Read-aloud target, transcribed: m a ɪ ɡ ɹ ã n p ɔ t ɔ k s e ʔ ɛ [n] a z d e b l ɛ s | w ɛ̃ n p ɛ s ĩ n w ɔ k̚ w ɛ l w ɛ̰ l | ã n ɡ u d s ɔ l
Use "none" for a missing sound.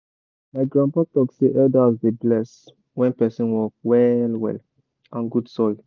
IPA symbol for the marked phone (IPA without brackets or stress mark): d